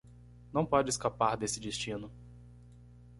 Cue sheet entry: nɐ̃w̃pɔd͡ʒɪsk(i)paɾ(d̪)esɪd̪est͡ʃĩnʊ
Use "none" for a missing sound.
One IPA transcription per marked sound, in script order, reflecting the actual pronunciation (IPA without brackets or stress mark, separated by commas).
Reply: a, d̪